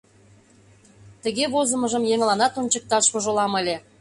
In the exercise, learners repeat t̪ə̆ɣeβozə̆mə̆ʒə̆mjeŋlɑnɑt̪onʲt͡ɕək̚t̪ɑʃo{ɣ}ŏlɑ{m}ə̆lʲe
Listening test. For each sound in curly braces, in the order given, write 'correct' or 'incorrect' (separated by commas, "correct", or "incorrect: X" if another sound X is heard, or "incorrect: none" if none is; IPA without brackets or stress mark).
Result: incorrect: ʒ, correct